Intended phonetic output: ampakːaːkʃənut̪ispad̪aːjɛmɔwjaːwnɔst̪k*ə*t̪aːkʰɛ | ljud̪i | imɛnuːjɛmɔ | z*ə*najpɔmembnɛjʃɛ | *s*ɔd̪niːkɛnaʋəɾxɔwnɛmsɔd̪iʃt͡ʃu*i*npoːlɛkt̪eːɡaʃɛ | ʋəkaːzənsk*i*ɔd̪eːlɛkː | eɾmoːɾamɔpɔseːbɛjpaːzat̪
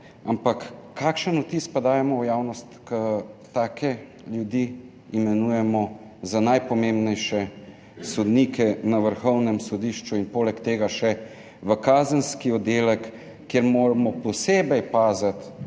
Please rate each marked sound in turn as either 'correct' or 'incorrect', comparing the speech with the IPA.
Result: correct, incorrect, correct, correct, correct

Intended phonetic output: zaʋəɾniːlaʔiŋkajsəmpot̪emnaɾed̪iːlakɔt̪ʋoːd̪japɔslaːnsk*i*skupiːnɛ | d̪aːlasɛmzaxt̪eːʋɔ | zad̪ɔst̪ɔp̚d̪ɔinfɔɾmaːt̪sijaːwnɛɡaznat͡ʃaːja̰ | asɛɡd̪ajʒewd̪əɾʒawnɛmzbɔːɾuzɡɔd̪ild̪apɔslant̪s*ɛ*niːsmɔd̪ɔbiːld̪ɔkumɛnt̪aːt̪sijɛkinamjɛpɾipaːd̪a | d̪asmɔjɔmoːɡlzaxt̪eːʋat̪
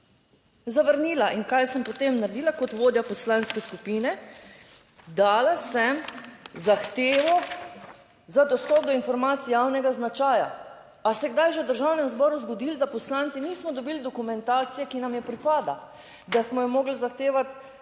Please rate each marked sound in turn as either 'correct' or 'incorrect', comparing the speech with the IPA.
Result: incorrect, incorrect

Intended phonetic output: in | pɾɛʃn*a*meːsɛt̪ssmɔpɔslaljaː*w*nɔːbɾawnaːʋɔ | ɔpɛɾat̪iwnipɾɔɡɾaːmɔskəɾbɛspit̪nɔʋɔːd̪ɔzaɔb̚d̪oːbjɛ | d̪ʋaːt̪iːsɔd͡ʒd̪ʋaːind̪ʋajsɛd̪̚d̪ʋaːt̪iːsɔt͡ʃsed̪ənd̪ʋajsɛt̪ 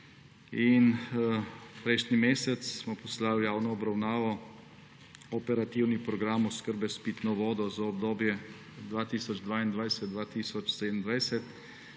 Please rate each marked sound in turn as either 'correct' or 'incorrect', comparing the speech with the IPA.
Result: incorrect, correct

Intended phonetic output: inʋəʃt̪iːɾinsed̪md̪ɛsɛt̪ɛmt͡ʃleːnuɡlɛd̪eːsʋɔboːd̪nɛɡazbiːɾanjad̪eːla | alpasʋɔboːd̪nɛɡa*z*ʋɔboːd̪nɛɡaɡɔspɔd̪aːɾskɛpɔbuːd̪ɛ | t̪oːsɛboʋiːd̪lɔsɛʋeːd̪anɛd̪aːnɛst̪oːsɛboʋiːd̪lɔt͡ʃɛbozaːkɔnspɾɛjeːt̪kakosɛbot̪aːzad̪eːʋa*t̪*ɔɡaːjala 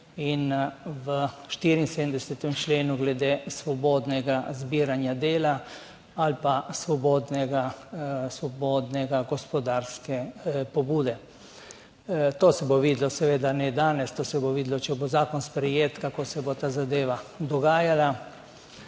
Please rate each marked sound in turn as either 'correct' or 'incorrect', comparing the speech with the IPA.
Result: incorrect, incorrect

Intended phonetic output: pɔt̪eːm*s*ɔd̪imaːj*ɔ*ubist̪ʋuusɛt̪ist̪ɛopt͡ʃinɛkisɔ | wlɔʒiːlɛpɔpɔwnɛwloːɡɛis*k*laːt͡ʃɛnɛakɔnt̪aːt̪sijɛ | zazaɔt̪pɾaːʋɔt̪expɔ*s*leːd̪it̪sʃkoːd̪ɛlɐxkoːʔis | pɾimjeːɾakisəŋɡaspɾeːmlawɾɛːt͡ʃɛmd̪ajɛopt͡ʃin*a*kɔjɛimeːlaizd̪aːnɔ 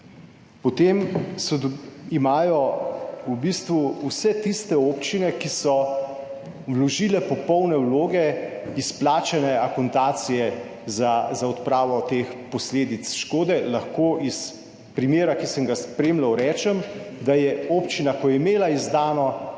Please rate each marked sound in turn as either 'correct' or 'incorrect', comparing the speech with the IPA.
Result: correct, correct, incorrect, correct, correct

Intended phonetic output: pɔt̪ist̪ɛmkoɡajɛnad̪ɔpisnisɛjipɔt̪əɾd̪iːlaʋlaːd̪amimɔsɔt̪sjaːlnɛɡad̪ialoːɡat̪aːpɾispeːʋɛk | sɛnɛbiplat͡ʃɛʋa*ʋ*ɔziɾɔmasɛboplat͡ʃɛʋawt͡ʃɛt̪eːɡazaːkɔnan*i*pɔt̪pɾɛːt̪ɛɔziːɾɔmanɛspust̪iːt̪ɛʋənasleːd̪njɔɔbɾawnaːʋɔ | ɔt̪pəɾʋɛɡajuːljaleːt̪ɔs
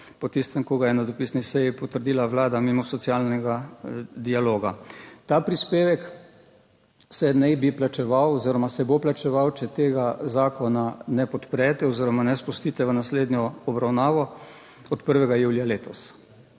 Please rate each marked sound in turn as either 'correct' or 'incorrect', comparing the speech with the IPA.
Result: incorrect, incorrect

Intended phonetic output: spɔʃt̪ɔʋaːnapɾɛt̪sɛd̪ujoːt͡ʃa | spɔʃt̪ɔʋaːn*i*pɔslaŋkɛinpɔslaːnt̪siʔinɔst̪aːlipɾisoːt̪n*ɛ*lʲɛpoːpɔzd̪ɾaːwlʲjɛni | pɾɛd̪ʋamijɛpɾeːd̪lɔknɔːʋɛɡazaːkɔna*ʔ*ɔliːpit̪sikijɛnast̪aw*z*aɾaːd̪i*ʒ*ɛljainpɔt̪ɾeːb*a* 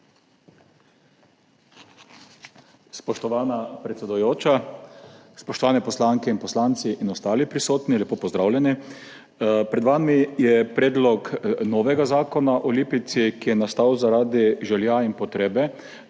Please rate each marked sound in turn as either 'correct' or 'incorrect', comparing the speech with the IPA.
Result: incorrect, incorrect, correct, correct, correct, incorrect

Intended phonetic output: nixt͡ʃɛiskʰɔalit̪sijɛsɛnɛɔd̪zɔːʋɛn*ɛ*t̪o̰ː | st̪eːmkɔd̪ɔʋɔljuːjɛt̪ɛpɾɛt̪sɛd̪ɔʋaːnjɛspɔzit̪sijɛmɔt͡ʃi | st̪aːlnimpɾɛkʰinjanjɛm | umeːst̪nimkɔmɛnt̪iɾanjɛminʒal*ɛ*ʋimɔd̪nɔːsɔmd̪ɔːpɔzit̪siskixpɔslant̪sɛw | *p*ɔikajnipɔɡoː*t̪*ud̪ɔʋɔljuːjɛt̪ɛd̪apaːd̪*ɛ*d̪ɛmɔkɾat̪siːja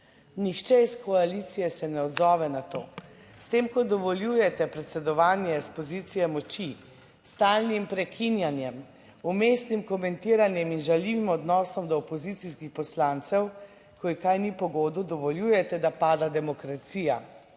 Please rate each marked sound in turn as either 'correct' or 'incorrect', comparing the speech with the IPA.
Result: incorrect, incorrect, incorrect, incorrect, incorrect

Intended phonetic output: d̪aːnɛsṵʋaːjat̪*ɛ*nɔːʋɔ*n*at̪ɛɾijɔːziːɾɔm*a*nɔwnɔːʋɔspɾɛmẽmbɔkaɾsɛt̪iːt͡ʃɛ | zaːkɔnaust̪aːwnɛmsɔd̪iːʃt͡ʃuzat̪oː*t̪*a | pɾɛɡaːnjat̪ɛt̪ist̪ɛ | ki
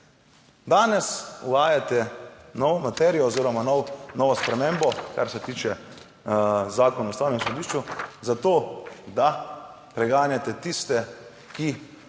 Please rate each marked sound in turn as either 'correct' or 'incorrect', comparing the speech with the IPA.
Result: correct, incorrect, correct, incorrect

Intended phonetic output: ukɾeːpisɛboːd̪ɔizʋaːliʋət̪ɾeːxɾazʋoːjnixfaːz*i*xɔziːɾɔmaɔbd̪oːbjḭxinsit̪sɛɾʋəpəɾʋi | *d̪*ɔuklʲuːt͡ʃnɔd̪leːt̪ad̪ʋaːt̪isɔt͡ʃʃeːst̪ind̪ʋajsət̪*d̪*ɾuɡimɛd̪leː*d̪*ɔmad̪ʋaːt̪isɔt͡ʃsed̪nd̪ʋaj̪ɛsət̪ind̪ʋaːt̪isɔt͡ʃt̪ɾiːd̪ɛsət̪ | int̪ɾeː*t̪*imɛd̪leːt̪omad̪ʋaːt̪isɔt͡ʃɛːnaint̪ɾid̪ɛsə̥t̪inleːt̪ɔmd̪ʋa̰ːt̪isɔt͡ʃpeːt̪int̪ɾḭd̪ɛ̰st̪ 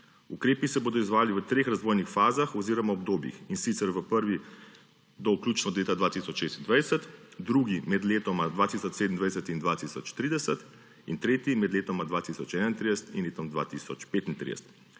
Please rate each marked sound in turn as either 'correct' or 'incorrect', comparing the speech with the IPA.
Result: incorrect, correct, correct, incorrect, correct

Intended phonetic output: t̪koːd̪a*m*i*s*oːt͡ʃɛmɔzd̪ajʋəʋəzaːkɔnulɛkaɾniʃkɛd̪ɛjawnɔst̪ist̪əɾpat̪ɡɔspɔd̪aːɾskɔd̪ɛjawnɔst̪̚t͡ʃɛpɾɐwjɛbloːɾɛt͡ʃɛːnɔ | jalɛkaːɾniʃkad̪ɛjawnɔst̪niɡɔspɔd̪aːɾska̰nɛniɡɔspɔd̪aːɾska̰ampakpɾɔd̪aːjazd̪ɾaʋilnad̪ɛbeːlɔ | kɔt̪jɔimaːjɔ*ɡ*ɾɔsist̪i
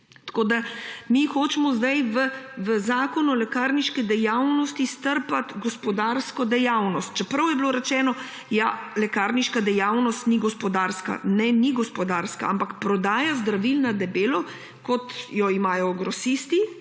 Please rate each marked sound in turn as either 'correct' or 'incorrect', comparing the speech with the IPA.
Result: correct, incorrect, correct

